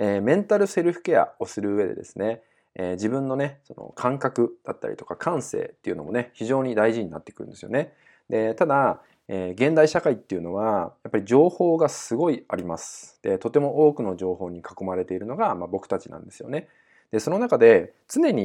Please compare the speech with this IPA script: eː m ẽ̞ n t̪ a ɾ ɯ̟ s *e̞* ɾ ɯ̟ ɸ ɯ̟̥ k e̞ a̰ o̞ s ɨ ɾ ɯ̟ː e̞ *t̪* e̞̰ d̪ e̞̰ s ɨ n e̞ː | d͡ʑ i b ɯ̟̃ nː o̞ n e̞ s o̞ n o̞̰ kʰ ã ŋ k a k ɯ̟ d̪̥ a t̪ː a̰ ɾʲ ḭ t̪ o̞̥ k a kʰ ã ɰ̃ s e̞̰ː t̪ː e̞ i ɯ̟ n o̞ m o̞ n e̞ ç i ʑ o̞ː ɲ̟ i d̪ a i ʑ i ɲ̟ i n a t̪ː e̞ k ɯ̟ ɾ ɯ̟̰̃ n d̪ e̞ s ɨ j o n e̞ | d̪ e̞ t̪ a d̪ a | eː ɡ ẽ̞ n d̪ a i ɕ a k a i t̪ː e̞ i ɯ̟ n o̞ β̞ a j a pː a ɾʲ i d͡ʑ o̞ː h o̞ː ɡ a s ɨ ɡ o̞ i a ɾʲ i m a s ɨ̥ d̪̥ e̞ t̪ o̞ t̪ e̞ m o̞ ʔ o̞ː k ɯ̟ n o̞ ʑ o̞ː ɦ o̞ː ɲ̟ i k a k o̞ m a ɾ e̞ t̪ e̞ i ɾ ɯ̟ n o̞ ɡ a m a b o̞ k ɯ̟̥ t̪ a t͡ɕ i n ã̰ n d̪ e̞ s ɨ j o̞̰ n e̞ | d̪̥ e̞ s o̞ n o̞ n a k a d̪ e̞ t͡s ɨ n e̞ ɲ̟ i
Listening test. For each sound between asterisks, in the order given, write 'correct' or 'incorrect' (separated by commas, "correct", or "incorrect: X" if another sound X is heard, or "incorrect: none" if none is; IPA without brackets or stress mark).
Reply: correct, incorrect: d̪